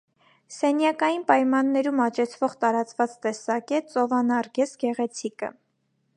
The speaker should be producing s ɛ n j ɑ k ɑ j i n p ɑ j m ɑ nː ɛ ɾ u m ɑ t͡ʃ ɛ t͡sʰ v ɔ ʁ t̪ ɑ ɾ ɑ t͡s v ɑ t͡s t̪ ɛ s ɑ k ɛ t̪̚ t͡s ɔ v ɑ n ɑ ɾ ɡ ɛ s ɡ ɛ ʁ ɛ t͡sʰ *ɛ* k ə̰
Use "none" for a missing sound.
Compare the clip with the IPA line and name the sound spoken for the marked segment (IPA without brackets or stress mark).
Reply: i